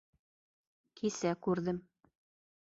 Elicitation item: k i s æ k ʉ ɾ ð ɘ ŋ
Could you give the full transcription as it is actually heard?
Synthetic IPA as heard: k i s æ k ʉ ɾ ð ɘ m